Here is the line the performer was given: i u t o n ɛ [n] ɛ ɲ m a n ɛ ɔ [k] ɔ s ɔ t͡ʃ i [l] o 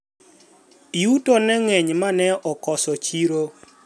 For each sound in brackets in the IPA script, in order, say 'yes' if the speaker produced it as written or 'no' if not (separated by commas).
no, yes, no